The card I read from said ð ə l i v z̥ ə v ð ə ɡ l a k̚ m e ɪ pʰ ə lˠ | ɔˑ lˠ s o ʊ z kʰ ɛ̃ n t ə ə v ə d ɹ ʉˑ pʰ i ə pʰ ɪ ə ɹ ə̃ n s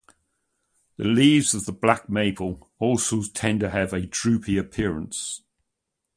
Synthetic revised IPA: ð ə l iː v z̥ ə v ð ə b l a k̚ m e ɪ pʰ ə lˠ | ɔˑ lˠ s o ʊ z tʰ ɛ̃ n t ə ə v ə d ɹ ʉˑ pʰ i ə pʰ ɪ ə ɹ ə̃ n s